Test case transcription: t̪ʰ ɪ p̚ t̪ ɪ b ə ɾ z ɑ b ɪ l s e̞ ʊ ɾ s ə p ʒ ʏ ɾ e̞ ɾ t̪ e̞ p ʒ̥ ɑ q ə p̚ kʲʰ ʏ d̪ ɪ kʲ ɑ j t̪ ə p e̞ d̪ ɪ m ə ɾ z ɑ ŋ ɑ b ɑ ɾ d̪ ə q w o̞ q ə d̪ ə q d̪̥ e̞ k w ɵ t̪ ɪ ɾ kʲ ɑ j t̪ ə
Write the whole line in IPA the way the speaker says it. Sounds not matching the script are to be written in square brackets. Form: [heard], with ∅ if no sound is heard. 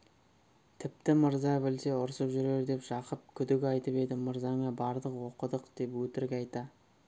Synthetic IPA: t̪ʰ ɪ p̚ t̪ ɪ [m] ə ɾ z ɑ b ɪ l s e̞ ʊ ɾ s ə p ʒ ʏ ɾ e̞ ɾ [d̪] e̞ p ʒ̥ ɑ q ə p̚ kʲʰ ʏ d̪ ɪ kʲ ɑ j t̪ ə p e̞ d̪ ɪ m ə ɾ z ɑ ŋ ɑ b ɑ ɾ d̪ ə q w o̞ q ə d̪ ə q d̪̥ e̞ [p] w ɵ t̪ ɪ ɾ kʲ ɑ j t̪ [ɑ]

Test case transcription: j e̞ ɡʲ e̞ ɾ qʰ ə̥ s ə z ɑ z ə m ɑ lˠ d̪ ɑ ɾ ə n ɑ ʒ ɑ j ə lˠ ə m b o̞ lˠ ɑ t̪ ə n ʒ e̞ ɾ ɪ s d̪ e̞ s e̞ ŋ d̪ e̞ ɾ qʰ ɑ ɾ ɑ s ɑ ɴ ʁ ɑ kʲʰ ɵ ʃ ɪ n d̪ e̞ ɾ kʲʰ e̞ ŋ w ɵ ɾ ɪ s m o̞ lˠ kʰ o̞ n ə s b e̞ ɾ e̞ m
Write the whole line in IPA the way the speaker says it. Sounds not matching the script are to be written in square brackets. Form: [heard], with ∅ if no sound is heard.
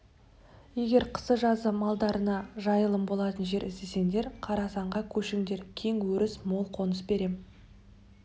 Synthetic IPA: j e̞ ɡʲ e̞ ɾ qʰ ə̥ s ə [ʒ] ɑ z ə m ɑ lˠ d̪ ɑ ɾ ə n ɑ ʒ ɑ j ə lˠ ə m b o̞ lˠ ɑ t̪ ə n ʒ e̞ ɾ ɪ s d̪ e̞ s e̞ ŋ d̪ e̞ ɾ qʰ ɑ ɾ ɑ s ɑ ɴ ʁ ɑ kʲʰ ɵ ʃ ɪ [ŋ] d̪ e̞ ɾ kʲʰ e̞ ŋ w ɵ ɾ ɪ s m o̞ lˠ [qʰ] o̞ n ə s b e̞ ɾ e̞ m

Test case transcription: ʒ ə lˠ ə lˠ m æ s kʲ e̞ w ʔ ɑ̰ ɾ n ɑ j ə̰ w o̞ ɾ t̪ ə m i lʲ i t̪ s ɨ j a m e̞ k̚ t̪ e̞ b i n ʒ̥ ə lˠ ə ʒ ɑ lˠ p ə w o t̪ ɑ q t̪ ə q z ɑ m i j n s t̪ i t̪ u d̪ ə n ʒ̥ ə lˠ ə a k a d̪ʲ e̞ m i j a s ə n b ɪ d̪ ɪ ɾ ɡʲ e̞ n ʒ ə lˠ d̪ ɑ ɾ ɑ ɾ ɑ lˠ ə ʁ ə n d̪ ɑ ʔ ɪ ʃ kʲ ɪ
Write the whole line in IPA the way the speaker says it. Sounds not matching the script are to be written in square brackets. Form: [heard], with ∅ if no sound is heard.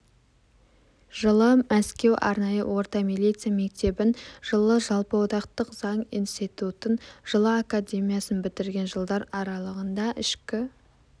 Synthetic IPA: ʒ ə lˠ ə [∅] m æ s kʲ e̞ w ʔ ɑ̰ ɾ n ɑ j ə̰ w o̞ ɾ t̪ [ɑ] m i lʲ i t̪ s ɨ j a m e̞ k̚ t̪ e̞ b [ɪ] n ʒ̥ ə lˠ ə ʒ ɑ lˠ p ə w o t̪ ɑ q t̪ ə q z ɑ [ɴ] i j n s t̪ i t̪ u [t̪] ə n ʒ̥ ə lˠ ə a k a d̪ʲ e̞ m i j a s ə n b ɪ [t̪] ɪ ɾ ɡʲ e̞ n ʒ ə lˠ d̪ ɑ ɾ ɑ ɾ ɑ lˠ ə ʁ ə n d̪ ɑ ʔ ɪ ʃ kʲ ɪ

